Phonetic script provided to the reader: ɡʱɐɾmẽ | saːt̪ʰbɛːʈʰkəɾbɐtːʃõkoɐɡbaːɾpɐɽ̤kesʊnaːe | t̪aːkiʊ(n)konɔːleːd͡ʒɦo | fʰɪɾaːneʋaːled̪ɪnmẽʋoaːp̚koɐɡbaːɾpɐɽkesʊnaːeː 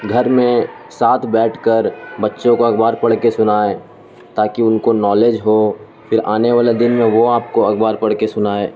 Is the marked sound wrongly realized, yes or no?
no